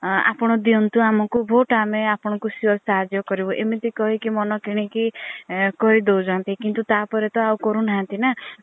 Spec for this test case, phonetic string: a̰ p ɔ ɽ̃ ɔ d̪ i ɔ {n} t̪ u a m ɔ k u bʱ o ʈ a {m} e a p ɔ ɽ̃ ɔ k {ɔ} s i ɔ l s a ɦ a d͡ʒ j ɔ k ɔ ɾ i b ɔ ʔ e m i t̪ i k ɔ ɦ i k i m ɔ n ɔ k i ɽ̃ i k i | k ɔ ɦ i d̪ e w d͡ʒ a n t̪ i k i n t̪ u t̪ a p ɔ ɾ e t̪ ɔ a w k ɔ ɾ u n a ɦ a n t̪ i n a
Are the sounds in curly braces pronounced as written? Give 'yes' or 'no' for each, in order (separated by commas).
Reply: yes, yes, no